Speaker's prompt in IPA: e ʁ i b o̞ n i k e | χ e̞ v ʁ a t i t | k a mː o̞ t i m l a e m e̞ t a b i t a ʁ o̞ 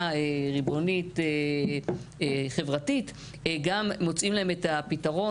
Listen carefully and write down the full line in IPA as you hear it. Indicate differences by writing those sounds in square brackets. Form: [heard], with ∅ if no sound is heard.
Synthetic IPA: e ʁ i b o̞ n i [t] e | χ e̞ v ʁ a t i t | [ɡ] a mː o̞ [t͡s] i m l a e m e̞ t a [p] i t a ʁ o̞